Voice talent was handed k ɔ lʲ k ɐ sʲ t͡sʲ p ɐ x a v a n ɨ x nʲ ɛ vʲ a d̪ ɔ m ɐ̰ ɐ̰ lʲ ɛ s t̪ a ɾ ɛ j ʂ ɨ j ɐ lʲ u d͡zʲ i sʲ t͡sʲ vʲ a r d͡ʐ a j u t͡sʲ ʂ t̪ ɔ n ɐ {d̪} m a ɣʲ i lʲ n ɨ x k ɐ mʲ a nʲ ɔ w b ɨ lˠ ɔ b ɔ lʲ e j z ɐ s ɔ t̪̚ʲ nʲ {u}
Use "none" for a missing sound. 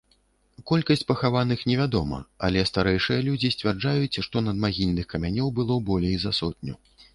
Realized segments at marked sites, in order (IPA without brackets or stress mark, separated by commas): d̪, u